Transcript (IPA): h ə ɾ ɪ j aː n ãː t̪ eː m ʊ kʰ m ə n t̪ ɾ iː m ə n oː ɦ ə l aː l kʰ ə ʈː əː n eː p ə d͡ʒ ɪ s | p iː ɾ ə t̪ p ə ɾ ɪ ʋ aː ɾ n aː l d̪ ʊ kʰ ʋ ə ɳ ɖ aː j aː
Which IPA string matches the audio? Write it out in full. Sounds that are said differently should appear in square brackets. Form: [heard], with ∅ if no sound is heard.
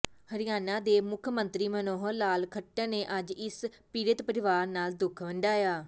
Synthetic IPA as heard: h ə ɾ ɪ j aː n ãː [d̪] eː m ʊ kʰ m ə n t̪ ɾ iː m ə n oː ɦ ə l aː l kʰ ə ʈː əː n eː [ʔ] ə d͡ʒ ɪ s | p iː ɾ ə t̪ p ə ɾ ɪ ʋ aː ɾ n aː l d̪ ʊ kʰ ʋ ə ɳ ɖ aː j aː